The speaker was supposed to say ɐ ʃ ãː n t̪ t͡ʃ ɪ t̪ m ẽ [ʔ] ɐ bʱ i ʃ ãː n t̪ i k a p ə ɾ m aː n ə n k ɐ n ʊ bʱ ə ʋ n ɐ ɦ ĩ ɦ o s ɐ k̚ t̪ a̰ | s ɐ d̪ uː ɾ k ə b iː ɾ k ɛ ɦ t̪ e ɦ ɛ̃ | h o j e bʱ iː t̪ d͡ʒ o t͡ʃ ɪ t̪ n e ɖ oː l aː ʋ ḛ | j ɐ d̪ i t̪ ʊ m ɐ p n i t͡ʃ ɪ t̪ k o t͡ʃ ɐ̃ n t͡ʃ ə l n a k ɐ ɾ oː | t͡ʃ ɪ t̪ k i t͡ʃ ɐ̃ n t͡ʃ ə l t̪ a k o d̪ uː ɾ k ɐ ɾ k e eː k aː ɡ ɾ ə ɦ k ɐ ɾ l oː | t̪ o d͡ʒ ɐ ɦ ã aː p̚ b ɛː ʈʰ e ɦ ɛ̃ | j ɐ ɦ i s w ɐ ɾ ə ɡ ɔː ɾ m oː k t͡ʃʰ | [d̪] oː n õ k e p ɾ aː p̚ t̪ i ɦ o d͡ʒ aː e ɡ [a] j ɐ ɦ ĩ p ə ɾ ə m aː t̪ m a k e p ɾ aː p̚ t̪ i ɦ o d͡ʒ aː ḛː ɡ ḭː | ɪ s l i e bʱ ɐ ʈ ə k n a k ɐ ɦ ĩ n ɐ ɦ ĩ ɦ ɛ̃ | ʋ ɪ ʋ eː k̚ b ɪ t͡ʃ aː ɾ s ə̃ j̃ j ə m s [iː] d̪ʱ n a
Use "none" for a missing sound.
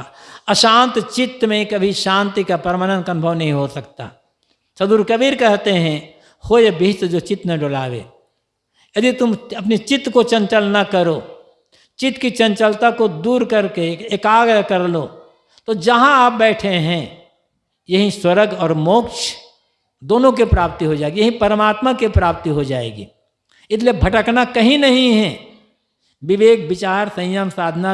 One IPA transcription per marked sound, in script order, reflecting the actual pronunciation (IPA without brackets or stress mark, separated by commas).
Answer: k, d̪, i, aː